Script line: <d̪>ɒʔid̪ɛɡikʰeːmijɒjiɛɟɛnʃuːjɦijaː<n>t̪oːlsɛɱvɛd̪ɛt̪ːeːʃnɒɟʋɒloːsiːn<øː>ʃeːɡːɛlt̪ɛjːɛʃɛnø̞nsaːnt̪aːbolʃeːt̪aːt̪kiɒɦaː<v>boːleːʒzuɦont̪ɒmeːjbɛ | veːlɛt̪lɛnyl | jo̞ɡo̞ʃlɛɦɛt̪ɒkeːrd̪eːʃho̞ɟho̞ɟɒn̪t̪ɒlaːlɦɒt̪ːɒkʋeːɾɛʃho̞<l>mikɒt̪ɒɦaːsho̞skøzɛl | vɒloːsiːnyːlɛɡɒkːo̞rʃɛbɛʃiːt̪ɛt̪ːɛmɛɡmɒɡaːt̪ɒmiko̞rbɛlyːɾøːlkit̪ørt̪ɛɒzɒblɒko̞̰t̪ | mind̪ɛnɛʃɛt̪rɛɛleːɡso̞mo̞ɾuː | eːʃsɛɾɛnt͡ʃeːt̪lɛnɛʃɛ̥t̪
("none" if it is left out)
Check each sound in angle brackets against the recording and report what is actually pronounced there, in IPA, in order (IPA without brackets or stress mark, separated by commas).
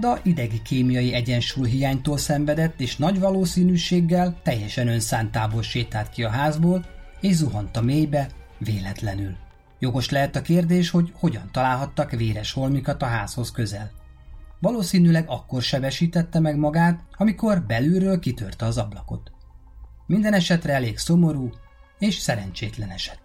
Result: d̪, ɲ, yː, z, l